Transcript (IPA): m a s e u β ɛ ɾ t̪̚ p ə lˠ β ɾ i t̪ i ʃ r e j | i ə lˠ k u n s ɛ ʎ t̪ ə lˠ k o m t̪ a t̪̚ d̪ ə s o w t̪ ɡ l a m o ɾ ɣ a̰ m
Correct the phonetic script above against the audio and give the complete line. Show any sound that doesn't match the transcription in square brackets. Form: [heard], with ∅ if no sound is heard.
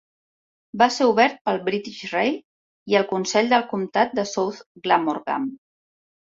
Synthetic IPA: [b] a s e u β ɛ ɾ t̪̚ p ə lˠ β ɾ i t̪ i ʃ r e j | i ə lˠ k u n s ɛ ʎ [d̪] ə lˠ k [u] m t̪ a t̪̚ d̪ ə s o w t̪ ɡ l a m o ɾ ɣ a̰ m